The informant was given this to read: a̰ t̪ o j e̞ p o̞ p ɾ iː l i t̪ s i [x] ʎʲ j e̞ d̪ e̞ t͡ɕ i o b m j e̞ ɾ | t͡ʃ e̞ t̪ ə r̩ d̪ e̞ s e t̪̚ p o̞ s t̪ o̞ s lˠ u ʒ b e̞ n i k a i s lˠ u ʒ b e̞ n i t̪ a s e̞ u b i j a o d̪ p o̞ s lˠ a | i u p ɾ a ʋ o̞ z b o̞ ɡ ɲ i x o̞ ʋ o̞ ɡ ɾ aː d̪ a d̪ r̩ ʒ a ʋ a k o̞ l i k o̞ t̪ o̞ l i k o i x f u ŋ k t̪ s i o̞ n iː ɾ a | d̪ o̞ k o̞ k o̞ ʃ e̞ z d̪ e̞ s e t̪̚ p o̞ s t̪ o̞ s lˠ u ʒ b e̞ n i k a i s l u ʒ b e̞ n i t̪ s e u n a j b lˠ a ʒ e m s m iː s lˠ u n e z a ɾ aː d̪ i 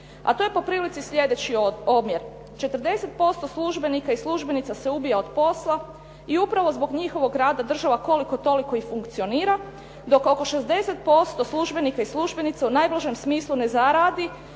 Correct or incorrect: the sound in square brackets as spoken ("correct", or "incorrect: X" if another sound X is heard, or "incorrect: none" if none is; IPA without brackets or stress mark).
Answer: incorrect: s